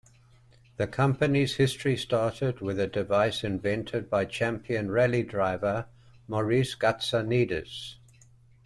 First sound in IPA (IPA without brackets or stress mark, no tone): ð